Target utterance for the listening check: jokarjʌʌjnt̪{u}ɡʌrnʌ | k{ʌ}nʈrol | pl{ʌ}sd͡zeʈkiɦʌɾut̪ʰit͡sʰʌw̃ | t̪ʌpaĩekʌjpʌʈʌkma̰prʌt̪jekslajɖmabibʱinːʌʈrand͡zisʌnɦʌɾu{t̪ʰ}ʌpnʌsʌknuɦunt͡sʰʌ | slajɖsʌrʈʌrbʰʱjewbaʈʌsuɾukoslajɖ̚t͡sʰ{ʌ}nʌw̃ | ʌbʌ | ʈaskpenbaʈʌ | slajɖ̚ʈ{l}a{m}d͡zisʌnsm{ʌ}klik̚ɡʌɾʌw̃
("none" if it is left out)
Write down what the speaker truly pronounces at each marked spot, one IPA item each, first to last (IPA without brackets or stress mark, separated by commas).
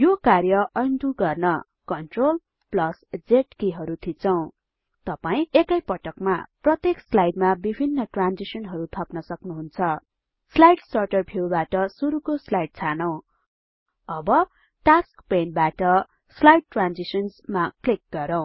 u, ʌ, ʌ, t̪ʰ, a, r, n, a